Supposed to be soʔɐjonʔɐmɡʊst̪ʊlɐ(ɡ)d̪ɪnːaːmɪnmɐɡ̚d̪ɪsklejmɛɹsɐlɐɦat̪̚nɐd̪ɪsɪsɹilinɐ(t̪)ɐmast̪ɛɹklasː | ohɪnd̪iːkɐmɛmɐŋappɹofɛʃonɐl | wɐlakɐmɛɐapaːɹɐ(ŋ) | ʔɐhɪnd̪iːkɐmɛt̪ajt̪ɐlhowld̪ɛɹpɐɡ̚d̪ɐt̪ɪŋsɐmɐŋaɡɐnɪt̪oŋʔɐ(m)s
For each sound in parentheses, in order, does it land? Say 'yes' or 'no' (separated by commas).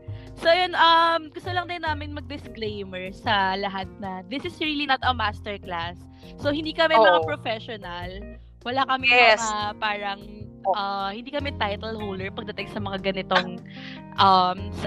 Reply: no, yes, yes, yes